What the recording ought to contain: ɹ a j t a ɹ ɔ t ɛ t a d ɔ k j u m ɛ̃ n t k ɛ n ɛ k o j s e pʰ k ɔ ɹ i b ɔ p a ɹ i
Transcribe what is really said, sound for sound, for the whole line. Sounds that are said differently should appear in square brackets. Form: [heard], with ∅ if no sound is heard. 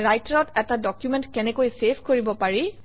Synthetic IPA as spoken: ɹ a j t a ɹ ɔ t ɛ t a d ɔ k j u m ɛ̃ n t k ɛ n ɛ k o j s e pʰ k [o] ɹ i b ɔ p a ɹ i